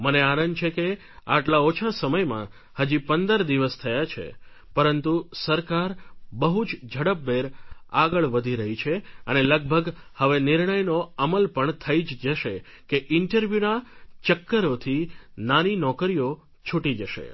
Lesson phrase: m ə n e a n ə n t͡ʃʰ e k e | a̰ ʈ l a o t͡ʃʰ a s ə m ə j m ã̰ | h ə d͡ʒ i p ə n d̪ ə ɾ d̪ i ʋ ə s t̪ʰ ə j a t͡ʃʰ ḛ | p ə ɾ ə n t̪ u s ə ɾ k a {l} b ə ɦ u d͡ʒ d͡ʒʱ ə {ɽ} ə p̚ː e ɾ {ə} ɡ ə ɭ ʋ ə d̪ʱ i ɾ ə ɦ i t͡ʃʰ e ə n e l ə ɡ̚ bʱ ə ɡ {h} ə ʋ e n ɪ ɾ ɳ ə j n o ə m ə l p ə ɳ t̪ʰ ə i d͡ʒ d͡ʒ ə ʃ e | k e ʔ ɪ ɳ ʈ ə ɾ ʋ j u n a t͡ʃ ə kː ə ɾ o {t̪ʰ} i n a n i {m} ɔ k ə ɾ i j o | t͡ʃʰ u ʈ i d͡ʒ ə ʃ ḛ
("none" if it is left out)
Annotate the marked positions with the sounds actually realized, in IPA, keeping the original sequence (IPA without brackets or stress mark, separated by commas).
ɾ, ɽ, a, h, t̪ʰ, n